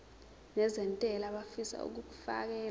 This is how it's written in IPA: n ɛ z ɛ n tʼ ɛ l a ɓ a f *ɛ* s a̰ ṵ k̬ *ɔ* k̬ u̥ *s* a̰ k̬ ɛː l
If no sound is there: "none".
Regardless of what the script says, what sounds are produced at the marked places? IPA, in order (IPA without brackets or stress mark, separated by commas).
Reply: i, u, f